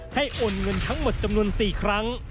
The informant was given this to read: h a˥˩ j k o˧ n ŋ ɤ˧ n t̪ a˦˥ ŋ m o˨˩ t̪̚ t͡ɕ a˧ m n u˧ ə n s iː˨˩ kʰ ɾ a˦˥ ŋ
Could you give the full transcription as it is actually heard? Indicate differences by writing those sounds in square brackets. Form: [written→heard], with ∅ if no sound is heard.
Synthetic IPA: h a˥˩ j [k→ʔ] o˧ n ŋ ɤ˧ n [t̪→t̪ʰ] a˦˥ ŋ m o˨˩ t̪̚ t͡ɕ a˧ m n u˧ ə n s iː˨˩ kʰ ɾ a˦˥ ŋ